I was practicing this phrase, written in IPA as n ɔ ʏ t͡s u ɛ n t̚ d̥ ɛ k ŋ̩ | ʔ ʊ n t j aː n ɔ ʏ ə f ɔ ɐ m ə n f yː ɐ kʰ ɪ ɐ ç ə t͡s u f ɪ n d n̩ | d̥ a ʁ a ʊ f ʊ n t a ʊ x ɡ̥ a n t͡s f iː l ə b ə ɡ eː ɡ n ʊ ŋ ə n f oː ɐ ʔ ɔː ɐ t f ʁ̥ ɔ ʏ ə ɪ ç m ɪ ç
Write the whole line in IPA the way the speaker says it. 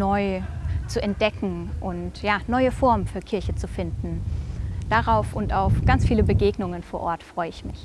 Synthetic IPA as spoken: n ɔ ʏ t͡s u ɛ n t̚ d̥ ɛ k ŋ̩ | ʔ ʊ n t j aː n ɔ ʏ ə f ɔ ɐ m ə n f yː ɐ kʰ ɪ ɐ ç ə t͡s u f ɪ n d n̩ | d̥ a ʁ a ʊ f ʊ n t a ʊ f ɡ̥ a n t͡s f iː l ə b ə ɡ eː ɡ n ʊ ŋ ə n f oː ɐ ʔ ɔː ɐ t f ʁ̥ ɔ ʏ ə ɪ ç m ɪ ç